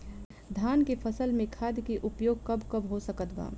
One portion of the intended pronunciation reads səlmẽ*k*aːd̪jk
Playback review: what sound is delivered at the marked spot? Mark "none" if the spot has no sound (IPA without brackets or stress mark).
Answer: kʰ